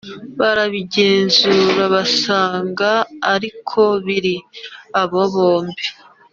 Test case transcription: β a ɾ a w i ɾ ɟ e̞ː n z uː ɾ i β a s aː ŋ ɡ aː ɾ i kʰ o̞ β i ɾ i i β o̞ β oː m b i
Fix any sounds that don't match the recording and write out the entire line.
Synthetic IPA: β a ɾ a β i ɟ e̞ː n z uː ɾ a β a s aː ŋ ɡ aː ɾ i kʰ o̞ β i ɾ i a β o̞ β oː m b i